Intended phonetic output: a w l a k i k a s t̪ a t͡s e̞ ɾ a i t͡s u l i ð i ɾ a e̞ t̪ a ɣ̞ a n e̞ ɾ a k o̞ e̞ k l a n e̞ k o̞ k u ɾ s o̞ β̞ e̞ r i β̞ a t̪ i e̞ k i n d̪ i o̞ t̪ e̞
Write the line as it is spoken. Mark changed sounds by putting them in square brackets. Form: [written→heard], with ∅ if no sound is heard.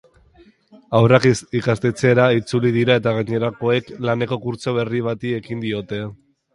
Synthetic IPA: a w [l→r] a k i k a s t̪ [a→e] t͡s e̞ ɾ a i t͡s u l i ð i ɾ a e̞ t̪ a ɣ̞ a [n→ɲ] e̞ ɾ a k o̞ e̞ k l a n e̞ k o̞ k u ɾ [s→t͡s] o̞ β̞ e̞ r i β̞ a t̪ i e̞ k i n d̪ i o̞ t̪ e̞